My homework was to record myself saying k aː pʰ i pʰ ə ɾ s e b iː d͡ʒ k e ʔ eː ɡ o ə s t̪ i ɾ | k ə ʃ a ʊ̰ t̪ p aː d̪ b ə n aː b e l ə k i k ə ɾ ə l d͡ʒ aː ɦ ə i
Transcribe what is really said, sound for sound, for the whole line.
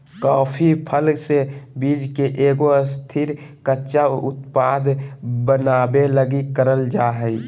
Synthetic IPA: k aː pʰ i pʰ ə l s e b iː d͡ʒ k e ʔ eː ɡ o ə s t̪ʰ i ɾ | k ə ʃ a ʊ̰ t̪ p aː d̪ b ə n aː b e l ə ɡ i k ə ɾ ə l d͡ʒ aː ɦ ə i